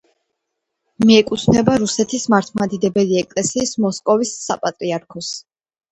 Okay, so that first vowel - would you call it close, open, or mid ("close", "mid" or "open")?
close